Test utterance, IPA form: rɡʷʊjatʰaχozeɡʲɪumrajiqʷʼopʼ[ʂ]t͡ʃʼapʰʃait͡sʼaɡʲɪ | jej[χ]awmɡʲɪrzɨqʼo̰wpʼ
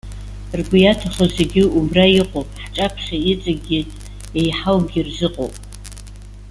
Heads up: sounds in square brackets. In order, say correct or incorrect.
incorrect: ħ, incorrect: ħ

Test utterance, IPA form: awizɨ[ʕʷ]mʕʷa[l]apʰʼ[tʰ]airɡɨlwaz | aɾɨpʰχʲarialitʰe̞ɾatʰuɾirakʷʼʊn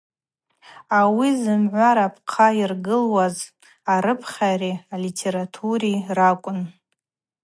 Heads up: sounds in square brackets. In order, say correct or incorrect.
incorrect: none, incorrect: ɾ, incorrect: qʰ

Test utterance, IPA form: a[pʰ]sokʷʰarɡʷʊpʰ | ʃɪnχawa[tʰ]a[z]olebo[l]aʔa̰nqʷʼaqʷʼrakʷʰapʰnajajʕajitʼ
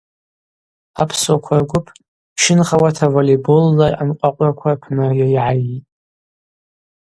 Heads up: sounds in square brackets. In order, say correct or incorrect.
correct, correct, incorrect: v, incorrect: lː

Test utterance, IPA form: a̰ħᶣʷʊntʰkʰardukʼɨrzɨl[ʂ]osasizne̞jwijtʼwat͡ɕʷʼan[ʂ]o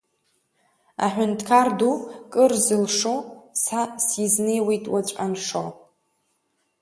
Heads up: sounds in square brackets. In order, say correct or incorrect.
correct, correct

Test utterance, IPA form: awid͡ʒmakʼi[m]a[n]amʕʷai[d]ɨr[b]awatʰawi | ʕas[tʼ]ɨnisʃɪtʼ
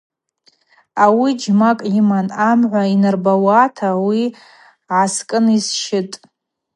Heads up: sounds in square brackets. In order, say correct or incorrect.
correct, correct, incorrect: n, correct, incorrect: kʼ

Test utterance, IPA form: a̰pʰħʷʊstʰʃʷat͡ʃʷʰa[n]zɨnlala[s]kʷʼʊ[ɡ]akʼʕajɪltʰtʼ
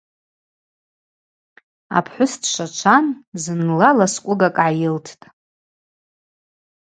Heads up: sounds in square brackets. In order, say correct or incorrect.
correct, correct, correct

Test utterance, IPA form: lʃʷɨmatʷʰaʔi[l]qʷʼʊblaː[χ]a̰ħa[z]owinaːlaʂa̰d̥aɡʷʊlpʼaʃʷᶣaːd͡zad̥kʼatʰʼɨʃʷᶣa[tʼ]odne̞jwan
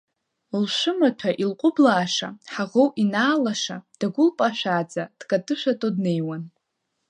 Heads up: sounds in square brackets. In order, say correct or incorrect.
correct, incorrect: ʂ, incorrect: ʁ, correct

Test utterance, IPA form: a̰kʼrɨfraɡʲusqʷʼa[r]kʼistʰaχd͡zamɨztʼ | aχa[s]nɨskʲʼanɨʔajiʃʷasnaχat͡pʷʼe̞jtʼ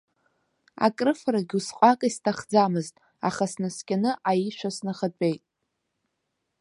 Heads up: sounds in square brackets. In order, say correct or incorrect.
incorrect: none, correct

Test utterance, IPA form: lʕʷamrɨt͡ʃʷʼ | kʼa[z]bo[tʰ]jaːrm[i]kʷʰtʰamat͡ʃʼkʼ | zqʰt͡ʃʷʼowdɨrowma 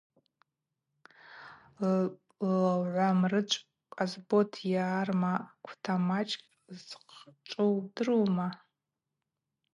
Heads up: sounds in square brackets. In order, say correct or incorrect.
correct, correct, incorrect: a

